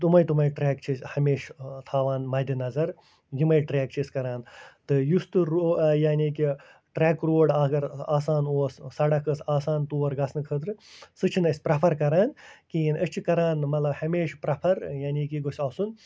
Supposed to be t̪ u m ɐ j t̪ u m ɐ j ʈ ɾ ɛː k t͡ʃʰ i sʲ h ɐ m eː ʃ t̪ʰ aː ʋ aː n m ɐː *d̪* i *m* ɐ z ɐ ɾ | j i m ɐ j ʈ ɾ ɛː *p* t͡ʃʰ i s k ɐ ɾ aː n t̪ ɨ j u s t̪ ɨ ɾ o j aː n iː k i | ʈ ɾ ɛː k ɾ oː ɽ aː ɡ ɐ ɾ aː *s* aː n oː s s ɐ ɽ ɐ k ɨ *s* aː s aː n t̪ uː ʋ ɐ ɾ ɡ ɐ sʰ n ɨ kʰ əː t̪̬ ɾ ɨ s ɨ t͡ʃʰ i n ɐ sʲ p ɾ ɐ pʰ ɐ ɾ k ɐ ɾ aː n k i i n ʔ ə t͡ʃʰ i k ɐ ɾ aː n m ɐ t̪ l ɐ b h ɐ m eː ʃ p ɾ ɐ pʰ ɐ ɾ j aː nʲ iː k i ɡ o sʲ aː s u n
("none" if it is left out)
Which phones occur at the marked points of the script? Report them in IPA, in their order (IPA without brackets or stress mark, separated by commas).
d̪, n, k, s, s